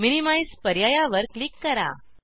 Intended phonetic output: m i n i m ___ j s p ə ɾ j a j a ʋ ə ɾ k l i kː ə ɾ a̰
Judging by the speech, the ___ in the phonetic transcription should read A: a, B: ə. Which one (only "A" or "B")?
A